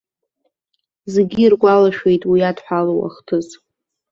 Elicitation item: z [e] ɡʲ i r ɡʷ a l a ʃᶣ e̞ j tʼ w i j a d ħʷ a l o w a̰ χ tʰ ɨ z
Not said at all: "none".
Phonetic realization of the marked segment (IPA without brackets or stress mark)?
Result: e